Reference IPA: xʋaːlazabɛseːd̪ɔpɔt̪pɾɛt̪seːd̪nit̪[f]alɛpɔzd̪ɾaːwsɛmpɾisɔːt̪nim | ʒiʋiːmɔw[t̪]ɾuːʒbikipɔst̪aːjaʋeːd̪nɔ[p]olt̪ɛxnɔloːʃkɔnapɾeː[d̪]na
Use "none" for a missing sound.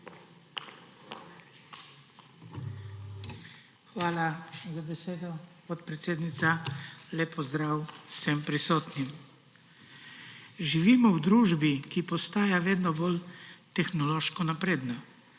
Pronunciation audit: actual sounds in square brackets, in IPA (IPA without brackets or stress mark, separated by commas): s, d̪, b, d̪